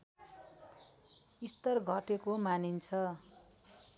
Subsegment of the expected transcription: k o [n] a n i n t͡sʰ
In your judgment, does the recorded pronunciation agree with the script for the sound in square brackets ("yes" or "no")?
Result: no